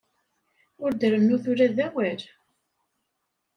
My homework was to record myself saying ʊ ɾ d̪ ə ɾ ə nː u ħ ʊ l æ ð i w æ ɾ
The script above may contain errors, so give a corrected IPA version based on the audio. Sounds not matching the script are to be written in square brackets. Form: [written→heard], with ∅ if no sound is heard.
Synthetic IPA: ʊ ɾ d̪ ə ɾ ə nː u [ħ→θ] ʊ [l→ɾ] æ ð [i→æ] w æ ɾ